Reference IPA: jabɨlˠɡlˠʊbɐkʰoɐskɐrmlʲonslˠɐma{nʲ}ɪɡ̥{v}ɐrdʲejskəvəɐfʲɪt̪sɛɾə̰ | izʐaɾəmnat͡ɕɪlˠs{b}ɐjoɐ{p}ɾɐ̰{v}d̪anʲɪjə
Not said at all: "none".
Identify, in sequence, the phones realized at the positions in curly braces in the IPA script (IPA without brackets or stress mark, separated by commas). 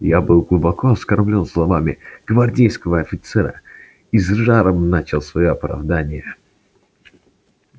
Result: mʲ, v, v, p, v